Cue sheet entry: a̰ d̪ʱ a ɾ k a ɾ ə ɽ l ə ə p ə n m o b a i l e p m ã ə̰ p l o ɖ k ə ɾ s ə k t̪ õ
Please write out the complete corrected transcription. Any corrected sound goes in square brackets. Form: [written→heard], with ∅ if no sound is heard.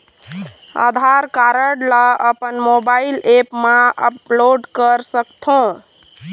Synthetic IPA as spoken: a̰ d̪ʱ a ɾ k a ɾ ə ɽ l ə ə p ə n m o b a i l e p m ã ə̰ p l o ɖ k ə ɾ s ə k [t̪→t̪ʰ] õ